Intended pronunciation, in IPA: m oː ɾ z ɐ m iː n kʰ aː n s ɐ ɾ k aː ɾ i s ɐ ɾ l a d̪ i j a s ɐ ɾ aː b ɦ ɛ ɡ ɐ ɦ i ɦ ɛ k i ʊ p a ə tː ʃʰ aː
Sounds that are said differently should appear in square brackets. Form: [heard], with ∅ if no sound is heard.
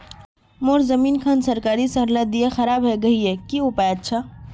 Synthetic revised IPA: m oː ɾ z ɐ m iː n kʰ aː n s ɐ ɾ k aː ɾ i s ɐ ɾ l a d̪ i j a [x] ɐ ɾ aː b ɦ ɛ ɡ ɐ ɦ i ɦ ɛ k i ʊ p a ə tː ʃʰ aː